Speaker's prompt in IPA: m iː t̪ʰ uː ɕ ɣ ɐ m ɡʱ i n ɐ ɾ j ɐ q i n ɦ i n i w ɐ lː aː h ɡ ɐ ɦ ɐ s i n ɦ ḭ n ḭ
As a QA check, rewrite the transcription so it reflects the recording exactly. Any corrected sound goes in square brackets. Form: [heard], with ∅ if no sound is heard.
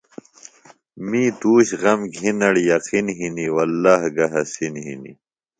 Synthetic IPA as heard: m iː [t̪] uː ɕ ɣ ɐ m ɡʱ i n ɐ [ɽ] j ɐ q i n ɦ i n i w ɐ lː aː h ɡ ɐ ɦ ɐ s i n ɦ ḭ n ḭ

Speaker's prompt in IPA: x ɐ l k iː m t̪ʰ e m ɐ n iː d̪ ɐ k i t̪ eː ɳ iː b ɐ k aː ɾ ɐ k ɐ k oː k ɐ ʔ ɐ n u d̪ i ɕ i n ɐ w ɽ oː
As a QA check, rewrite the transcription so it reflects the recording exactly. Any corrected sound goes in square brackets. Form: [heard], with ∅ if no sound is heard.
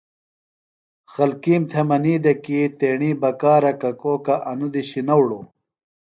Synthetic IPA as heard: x ɐ l k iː m t̪ʰ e m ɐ n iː d̪ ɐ k i t̪ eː ɳ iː b ɐ k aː ɾ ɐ k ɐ k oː k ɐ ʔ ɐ n u d̪ i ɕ i n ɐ w ɽ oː

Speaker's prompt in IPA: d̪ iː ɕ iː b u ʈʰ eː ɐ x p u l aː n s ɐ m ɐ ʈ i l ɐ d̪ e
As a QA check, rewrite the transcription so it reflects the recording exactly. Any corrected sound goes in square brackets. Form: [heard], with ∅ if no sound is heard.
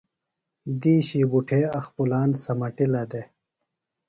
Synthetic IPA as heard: d̪ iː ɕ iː b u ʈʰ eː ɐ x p u l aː n s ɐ m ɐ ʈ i l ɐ d̪ e

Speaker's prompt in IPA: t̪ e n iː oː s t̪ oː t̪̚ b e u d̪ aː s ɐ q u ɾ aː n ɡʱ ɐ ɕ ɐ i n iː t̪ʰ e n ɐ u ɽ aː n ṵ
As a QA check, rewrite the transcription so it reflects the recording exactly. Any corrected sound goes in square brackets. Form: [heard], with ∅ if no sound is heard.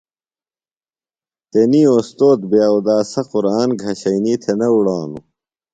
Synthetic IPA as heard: t̪ e n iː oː s t̪ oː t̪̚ b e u d̪ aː s ɐ q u ɾ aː n ɡʱ ɐ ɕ ɐ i n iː t̪ʰ e n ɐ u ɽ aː n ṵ

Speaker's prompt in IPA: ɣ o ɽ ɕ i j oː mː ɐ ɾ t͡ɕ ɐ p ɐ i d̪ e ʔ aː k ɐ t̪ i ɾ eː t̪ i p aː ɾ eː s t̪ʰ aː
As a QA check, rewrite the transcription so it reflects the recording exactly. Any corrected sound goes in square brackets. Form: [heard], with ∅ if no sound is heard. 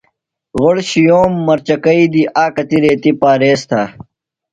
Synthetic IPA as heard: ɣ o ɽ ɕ i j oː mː ɐ ɾ t͡ɕ ɐ [k] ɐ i d̪ [i] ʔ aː k ɐ t̪ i ɾ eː t̪ i p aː ɾ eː s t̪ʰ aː

